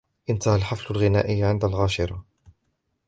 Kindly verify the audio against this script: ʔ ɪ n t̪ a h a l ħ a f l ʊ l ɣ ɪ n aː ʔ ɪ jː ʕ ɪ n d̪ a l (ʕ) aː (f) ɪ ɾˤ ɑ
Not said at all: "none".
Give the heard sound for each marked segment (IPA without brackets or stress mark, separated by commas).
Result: ɣ, ʃ